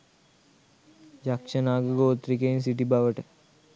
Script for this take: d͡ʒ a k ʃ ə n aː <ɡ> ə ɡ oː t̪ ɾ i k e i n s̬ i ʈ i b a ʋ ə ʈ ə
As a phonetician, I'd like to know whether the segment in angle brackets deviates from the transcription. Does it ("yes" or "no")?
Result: no